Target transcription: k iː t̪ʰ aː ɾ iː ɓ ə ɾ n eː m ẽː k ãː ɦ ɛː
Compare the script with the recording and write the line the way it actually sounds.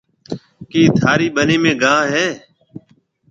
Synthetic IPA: k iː t̪ʰ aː ɾ iː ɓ ə n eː m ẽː ɡ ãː ɦ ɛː